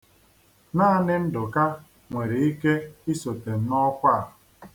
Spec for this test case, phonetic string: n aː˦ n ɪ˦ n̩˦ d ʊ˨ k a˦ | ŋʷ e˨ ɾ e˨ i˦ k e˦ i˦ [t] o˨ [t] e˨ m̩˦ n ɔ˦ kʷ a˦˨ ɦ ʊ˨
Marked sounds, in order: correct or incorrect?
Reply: incorrect: s, correct

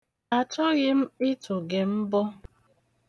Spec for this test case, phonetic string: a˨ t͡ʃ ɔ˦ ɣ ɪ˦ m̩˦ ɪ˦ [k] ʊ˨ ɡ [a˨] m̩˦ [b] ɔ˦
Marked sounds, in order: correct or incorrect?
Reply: incorrect: t, incorrect: e˨, correct

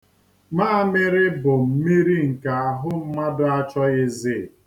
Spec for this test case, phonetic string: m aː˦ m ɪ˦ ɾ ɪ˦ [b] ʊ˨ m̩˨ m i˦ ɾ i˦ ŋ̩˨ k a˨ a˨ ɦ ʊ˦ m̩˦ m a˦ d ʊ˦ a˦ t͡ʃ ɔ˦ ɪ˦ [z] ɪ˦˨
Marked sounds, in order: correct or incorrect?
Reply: correct, correct

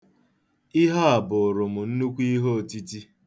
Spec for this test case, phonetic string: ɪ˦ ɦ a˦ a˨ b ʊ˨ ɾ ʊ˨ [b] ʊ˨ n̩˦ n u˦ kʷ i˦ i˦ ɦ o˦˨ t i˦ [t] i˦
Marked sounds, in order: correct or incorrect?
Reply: incorrect: m, correct

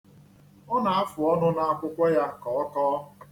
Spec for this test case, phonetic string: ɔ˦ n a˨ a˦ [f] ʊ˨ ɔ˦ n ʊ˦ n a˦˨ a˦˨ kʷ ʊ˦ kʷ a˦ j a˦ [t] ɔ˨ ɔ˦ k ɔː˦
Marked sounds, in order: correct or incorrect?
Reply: correct, incorrect: k

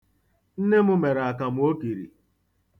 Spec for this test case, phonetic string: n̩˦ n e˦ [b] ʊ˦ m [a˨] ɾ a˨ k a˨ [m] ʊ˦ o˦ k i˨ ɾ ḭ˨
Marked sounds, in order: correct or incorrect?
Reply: incorrect: m, incorrect: e˨, correct

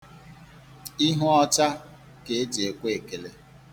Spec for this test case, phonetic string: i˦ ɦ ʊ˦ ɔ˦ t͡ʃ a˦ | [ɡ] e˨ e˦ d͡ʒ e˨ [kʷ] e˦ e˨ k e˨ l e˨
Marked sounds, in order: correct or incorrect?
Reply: incorrect: k, correct

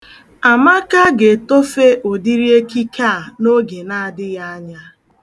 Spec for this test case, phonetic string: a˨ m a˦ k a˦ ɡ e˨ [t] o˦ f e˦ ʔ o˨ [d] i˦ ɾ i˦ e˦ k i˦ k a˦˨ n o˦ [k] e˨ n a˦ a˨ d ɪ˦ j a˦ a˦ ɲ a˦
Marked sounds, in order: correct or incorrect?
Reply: correct, correct, incorrect: ɡ

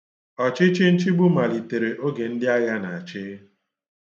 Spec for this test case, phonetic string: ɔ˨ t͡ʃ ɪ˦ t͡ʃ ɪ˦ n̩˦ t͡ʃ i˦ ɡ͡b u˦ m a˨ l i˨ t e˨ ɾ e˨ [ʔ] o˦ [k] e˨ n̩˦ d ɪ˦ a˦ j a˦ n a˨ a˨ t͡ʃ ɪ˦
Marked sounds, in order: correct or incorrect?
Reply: correct, incorrect: ɡ

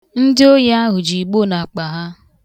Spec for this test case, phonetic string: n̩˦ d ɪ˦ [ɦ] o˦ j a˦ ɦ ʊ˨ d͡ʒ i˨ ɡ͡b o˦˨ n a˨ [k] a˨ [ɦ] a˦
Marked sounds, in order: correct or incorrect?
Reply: incorrect: none, incorrect: k͡p, correct

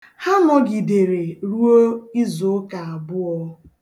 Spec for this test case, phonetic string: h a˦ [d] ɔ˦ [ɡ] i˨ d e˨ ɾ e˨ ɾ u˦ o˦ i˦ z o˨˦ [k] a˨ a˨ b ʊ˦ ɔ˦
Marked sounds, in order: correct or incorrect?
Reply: incorrect: n, correct, correct

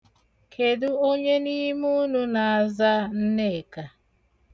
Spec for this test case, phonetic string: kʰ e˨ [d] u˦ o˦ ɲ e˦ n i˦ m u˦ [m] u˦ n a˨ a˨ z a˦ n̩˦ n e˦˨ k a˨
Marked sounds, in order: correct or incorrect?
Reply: correct, incorrect: n

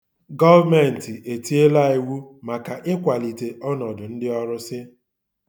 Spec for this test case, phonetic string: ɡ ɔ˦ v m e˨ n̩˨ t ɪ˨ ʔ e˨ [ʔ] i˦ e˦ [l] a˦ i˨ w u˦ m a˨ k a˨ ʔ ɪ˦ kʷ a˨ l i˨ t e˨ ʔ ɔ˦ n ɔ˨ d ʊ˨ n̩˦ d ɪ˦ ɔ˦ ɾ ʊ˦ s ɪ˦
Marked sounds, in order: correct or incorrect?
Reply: incorrect: t, correct

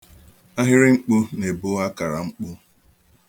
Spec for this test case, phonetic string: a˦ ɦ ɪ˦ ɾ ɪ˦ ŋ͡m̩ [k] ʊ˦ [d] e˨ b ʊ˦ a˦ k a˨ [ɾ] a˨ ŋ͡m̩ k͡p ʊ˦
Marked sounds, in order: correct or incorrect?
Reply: incorrect: k͡p, incorrect: n, correct

